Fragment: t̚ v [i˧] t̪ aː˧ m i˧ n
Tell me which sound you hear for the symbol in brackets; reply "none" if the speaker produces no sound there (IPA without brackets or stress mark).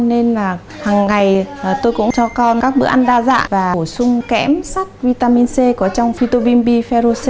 i˧